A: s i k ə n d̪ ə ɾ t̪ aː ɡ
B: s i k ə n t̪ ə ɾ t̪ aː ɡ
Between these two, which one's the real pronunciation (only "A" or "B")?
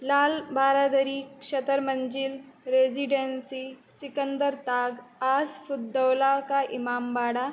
A